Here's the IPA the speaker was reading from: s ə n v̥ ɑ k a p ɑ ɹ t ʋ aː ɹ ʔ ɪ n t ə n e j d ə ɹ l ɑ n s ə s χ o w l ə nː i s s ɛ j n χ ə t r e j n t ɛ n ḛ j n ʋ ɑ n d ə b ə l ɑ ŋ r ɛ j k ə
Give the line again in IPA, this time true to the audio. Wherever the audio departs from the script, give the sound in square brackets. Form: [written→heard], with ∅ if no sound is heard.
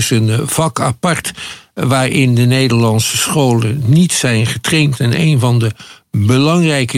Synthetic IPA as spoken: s ə n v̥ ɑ k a p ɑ ɹ t ʋ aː ɹ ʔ ɪ n [t→d] ə n e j d ə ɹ l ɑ n s ə s χ o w l ə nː i [s→t] s ɛ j n χ ə t r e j n t ɛ n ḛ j n [ʋ→v] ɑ n d ə b ə l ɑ ŋ r ɛ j k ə